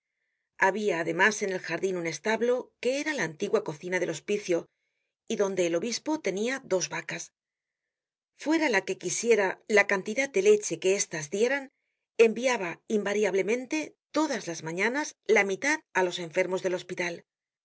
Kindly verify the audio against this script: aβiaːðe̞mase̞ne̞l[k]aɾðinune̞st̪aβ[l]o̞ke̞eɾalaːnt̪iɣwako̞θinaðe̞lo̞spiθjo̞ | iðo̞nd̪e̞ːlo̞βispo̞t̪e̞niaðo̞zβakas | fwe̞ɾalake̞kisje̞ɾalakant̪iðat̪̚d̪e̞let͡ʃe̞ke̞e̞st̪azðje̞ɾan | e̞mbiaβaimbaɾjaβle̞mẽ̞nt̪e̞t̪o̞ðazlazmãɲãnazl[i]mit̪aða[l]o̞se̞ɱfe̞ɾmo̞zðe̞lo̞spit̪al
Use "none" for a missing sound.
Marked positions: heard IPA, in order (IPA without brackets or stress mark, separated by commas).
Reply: x, l, a, l